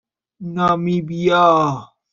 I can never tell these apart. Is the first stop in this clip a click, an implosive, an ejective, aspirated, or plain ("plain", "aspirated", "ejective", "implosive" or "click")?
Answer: plain